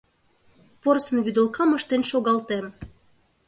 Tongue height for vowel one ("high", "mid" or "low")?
mid